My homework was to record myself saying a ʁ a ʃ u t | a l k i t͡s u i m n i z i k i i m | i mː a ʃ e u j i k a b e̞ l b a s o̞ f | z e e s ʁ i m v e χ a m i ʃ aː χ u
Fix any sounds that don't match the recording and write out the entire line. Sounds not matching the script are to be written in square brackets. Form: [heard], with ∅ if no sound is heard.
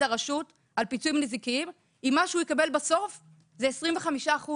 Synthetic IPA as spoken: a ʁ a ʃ u t | a l [p] i t͡s u i m n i z i k i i m | i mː a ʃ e u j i k a b e̞ l b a s o̞ f | z e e s ʁ i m v e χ a m i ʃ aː χ u

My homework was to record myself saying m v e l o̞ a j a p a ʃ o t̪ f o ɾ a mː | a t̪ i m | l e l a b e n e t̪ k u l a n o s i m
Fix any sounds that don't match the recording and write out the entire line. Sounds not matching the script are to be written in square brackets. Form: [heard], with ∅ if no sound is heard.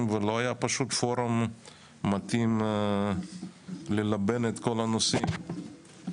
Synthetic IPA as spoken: m v e l o̞ a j a p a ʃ [u] t̪ f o ɾ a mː | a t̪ i m | l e l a b e n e t̪ k [o] l a n o s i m

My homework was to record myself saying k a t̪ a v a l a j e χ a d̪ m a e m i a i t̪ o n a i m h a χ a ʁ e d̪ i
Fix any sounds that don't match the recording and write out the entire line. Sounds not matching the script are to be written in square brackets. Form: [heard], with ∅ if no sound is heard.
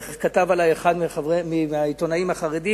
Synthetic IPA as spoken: k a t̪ a v a l a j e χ a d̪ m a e m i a i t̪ o n a i m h a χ a ʁ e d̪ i

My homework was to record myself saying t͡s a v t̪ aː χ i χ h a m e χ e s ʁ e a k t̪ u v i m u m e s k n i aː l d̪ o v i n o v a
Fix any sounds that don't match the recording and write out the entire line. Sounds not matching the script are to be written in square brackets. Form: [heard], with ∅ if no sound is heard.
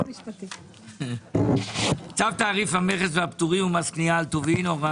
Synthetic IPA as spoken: t͡s a v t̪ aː [ʁ] i [f] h a m e χ e s [v] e a [p] t̪ u [ʁ] i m u m [a] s k n i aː l [t̪] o v i n o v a

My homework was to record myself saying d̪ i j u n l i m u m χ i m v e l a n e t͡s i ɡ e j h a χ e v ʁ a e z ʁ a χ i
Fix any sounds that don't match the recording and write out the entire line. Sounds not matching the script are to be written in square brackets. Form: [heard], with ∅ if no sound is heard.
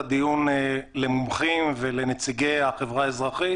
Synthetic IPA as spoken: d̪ i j u n l [e] m u m χ i m v e l [e] n e t͡s i ɡ e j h a χ e v ʁ a e z ʁ a χ i

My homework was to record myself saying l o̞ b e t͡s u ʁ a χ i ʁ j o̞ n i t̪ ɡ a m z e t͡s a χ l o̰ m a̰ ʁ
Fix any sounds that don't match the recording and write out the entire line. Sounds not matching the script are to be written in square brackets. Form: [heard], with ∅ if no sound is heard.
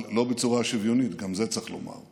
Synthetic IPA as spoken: l o̞ b e t͡s u ʁ a [ʃ] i [v] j o̞ n i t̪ ɡ a m z e t͡s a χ l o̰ m a̰ ʁ

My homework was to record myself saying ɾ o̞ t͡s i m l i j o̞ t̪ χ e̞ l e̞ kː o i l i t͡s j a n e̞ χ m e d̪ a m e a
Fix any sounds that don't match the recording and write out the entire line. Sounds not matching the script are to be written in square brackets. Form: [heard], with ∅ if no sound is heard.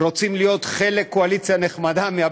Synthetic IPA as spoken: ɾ o̞ t͡s i m l i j o̞ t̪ χ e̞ l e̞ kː o [a] l i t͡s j a n e̞ χ m [a] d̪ a m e a

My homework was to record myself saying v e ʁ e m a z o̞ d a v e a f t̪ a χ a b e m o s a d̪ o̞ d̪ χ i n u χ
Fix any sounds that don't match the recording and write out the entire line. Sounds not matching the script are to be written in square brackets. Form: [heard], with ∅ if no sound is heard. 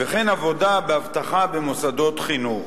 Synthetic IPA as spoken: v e [χ] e [n] a [v] o̞ d a [b] e a [v] t̪ a χ a b e m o s a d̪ o̞ [t̪] χ i n u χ

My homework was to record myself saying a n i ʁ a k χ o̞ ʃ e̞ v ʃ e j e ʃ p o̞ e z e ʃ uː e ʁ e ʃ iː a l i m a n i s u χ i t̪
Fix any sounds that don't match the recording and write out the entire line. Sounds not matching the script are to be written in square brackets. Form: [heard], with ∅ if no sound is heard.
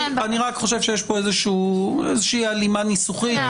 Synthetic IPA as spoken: a n i ʁ a k χ o̞ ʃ e̞ v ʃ e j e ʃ p o̞ e z e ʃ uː e [z] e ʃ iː a l i m a n i s u χ i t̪

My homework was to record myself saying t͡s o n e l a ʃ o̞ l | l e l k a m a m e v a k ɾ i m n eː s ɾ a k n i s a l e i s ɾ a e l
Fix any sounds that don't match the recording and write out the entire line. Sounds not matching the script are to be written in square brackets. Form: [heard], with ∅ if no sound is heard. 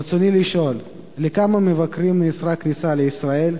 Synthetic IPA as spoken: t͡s o n [i] l [i] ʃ o̞ l | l e [∅] k a m a m e v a k ɾ i m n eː s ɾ a k n i s a l e i s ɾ a e l

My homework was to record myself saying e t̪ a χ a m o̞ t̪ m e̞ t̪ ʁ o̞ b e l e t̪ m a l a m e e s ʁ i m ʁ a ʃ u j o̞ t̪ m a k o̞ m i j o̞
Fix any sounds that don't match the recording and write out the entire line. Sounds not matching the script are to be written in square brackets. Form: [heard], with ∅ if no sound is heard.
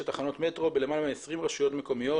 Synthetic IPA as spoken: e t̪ a χ a [n] o̞ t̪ m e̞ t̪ ʁ o̞ b e l e [∅] m a l a m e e s ʁ i m ʁ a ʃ u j o̞ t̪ m [e] k o̞ m i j o̞

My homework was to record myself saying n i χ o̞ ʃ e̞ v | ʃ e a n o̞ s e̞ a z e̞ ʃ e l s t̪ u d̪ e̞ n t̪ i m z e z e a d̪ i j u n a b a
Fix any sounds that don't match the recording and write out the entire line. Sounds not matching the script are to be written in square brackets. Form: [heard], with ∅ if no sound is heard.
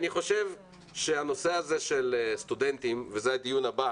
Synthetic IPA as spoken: n i χ o̞ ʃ e̞ v | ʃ e a n o̞ s e̞ a z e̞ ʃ e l s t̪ u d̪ e̞ n t̪ i m [v] e z e a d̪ i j u n a b a

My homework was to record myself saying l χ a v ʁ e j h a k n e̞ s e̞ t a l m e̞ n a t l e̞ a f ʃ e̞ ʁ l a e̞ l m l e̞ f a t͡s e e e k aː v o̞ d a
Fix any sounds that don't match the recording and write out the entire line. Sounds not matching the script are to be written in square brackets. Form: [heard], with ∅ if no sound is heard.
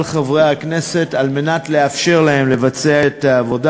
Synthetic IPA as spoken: l χ a v ʁ e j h a k n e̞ s e̞ t a l m e̞ n a t l e̞ a f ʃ e̞ ʁ l a e̞ [∅] m l e̞ [v] a t͡s e [a] e [t] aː v o̞ d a

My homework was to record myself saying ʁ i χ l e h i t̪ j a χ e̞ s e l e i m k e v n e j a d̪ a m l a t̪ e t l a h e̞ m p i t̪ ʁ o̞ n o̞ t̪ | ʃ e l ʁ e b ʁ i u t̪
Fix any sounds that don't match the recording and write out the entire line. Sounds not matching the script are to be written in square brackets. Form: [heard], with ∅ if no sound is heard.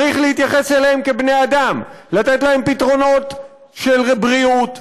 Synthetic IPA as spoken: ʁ i χ l e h i t̪ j a χ e̞ s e l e [e] m k e [b] n e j a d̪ a m l a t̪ e t l a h e̞ m p i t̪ ʁ o̞ n o̞ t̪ | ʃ e l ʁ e b ʁ i u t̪

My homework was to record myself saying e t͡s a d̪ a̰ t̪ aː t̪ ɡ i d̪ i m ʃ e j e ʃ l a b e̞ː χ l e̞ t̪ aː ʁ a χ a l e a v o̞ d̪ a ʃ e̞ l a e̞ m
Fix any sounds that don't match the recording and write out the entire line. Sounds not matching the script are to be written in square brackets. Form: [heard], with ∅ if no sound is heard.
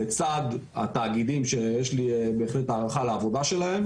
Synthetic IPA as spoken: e t͡s a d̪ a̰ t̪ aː [∅] ɡ i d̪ i m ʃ e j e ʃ l [i] b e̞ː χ l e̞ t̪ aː ʁ a χ a l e a v o̞ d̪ a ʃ e̞ l a e̞ m

